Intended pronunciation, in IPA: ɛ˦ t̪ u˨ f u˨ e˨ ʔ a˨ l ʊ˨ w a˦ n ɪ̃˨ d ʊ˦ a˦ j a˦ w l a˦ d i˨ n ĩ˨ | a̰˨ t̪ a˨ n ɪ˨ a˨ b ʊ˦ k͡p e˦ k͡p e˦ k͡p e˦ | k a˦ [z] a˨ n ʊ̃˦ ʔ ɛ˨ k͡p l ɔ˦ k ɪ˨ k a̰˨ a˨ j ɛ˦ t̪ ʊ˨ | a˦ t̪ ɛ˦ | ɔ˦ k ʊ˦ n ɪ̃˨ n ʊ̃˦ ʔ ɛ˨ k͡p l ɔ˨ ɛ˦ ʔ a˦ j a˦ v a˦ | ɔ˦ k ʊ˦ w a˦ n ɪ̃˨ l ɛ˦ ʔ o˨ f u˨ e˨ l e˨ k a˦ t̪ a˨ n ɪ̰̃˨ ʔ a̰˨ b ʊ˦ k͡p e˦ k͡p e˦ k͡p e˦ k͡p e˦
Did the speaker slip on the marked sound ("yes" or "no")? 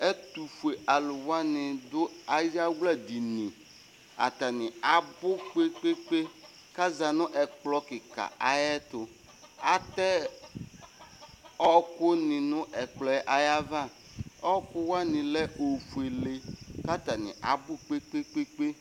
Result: no